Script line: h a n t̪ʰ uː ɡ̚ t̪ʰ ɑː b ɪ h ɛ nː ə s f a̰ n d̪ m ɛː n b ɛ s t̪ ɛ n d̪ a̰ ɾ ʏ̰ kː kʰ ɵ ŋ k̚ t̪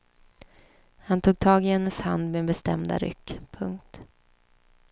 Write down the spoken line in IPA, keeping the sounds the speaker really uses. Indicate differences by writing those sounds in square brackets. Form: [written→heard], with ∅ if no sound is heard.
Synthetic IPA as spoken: h a n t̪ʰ uː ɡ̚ t̪ʰ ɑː [b→ɡ] ɪ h ɛ nː ə s [f→h] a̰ n d̪ m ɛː n b ɛ s t̪ ɛ [n→m] d̪ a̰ ɾ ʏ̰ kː [kʰ→pʰ] ɵ ŋ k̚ t̪